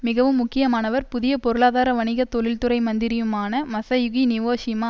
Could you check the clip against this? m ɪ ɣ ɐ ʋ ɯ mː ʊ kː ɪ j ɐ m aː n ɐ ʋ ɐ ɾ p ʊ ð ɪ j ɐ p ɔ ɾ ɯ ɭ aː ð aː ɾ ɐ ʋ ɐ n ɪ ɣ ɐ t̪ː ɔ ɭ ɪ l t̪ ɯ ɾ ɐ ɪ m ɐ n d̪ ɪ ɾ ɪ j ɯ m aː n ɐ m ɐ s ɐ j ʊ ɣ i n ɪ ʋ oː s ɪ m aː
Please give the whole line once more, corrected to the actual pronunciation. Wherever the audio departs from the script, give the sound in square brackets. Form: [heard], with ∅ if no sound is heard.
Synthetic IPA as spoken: m ɪ ɣ ɐ ʋ ɯ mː ʊ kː ɪ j ɐ m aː n ɐ ʋ ɐ ɾ p ʊ ð ɪ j ɐ p ɔ ɾ ɯ ɭ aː ð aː ɾ ɐ ʋ ɐ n ɪ ɣ ɐ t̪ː ɔ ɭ ɪ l t̪ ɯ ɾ ɐ ɪ m ɐ n d̪ ɪ ɾ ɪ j ɯ m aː n ɐ m ɐ s ɐ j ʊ ɣ i n ɪ ʋ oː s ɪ m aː